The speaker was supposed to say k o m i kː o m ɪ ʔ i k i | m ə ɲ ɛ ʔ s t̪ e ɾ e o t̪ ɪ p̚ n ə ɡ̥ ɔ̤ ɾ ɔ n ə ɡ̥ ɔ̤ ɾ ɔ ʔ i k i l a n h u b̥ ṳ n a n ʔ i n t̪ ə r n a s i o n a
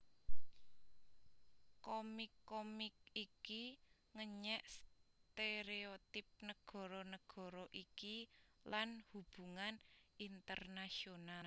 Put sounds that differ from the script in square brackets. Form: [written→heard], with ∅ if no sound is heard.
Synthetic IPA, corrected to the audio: k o m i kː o m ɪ [ʔ→k] i k i | [m→ŋ] ə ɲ ɛ ʔ s t̪ e ɾ e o t̪ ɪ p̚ n ə ɡ̥ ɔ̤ ɾ ɔ n ə ɡ̥ ɔ̤ ɾ ɔ ʔ i k i l a n h u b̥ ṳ [n→ŋ] a n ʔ i n t̪ ə r n a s i o n a